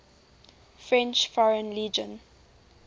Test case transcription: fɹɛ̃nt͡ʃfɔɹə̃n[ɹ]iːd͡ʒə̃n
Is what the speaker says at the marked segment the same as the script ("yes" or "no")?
no